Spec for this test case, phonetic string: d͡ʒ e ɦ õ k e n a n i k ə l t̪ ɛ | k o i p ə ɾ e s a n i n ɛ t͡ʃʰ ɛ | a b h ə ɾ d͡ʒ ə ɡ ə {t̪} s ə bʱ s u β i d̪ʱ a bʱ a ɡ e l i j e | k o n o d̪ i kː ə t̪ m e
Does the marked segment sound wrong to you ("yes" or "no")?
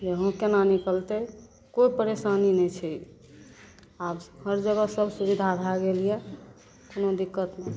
yes